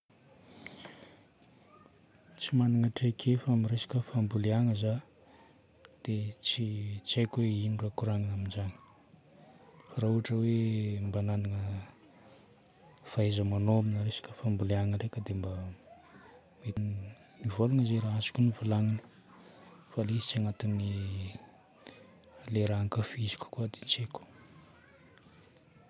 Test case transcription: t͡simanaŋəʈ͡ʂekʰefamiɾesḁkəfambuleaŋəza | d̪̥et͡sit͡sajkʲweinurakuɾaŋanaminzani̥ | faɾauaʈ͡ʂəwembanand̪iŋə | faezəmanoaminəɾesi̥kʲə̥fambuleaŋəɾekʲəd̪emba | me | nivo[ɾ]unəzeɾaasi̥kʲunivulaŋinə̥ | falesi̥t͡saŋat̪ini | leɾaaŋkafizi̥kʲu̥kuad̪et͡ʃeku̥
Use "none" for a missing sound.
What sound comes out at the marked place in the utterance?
l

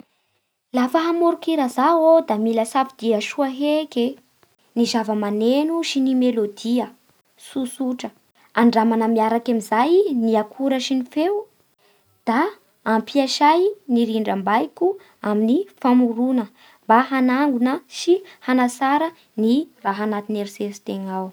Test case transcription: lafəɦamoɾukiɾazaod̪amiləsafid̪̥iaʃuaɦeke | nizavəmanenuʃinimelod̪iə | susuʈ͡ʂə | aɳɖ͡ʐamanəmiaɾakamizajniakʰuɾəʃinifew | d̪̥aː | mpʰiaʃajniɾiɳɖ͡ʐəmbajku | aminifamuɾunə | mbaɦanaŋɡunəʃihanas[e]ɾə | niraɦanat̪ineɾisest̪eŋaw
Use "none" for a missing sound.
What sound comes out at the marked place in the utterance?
a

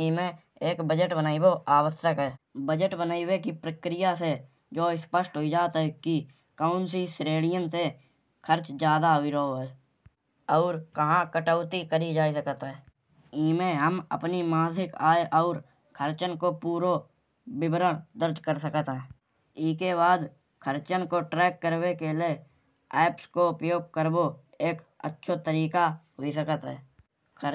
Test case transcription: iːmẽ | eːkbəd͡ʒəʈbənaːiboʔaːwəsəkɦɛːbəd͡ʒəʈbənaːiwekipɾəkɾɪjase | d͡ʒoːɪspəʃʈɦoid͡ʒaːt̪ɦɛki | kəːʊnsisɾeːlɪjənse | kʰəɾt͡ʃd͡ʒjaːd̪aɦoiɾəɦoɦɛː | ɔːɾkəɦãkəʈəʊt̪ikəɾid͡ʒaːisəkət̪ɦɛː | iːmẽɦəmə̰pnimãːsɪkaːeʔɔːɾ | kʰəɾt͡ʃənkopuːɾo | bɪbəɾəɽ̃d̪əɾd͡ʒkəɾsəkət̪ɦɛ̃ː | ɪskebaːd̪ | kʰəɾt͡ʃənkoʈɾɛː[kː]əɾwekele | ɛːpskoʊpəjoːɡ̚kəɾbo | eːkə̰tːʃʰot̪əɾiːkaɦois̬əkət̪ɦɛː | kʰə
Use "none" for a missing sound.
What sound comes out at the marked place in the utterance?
kː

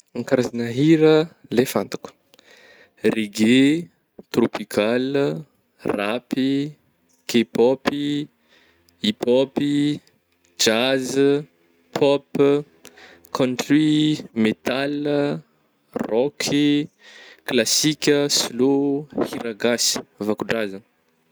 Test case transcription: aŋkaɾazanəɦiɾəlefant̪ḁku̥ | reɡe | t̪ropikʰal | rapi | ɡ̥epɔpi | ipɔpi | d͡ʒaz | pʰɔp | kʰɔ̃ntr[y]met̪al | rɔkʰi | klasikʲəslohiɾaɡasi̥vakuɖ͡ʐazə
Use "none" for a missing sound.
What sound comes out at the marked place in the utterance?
i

